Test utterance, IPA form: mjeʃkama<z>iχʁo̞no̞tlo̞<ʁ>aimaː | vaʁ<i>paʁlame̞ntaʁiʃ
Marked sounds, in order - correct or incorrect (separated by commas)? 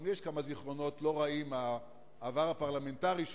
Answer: correct, correct, incorrect